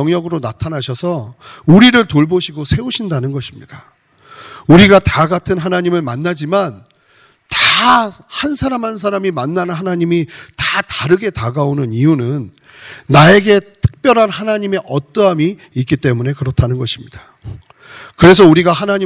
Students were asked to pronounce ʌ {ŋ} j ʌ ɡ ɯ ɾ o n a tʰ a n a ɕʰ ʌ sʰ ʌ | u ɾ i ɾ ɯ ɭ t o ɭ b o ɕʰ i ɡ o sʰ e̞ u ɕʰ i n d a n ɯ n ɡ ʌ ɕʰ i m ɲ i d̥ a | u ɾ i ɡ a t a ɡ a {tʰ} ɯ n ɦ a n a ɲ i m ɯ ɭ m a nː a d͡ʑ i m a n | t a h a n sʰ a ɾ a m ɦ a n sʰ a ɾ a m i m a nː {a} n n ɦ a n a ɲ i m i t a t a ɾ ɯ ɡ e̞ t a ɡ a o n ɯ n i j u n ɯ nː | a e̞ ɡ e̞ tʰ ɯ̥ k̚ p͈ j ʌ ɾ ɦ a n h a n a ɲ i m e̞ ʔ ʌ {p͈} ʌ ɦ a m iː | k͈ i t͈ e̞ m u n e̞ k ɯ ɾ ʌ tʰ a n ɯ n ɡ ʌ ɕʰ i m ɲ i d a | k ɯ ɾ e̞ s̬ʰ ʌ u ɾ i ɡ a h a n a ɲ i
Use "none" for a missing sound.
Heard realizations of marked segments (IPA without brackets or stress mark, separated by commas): ŋ, tʰ, a, t͈